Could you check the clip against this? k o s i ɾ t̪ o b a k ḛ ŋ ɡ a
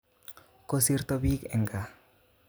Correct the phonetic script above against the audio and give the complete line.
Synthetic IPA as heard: k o s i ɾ t̪ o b i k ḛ ŋ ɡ a